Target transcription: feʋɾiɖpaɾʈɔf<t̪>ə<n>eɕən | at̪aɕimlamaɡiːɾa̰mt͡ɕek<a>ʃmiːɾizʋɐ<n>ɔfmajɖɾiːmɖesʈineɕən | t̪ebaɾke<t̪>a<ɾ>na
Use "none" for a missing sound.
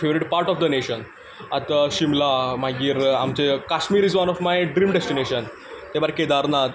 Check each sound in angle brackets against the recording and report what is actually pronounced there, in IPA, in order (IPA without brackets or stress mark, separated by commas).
d̪, n, a, n, d̪, ɾ